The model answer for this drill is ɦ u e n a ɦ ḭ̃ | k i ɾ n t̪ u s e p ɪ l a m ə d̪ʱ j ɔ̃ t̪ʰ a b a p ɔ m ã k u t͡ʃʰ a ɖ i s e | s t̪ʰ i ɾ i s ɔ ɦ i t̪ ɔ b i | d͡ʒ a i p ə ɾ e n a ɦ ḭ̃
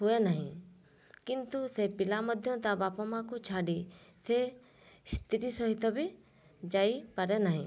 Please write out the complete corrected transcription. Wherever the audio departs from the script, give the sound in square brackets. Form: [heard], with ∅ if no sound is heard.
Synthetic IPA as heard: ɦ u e n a ɦ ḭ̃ | k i [∅] n t̪ u s e p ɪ l a m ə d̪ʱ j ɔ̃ [t̪] a b a p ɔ m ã k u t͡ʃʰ a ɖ i s e | s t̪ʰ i ɾ i s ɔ ɦ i t̪ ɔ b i | d͡ʒ a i p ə ɾ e n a ɦ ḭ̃